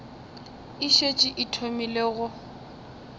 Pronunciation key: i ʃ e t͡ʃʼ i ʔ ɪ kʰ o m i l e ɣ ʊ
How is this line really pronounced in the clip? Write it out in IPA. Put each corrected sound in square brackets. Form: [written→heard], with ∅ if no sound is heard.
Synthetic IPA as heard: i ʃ e t͡ʃʼ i ʔ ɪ [kʰ→tʰ] o m i l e ɣ ʊ